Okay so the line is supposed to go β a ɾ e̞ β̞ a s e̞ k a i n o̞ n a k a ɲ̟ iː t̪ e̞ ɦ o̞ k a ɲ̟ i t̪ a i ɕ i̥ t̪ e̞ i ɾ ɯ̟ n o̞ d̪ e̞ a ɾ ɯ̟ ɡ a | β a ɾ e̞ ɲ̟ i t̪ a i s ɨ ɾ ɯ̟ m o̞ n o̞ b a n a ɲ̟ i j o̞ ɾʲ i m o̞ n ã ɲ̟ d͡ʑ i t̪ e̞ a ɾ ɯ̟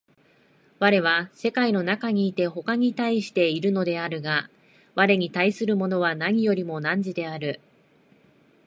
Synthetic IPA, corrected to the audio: β a ɾ e̞ β̞ a s e̞ k a i n o̞ n a k a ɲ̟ iː t̪ e̞ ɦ o̞ k a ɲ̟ i t̪ a i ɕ i̥ t̪ e̞ i ɾ ɯ̟ n o̞ d̪ e̞ a ɾ ɯ̟ ɡ a | β a ɾ e̞ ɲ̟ i t̪ a i s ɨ ɾ ɯ̟ m o̞ n o̞ β a n a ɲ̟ i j o̞ ɾʲ i m o̞ n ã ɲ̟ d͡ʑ i d̪ e̞ a ɾ ɯ̟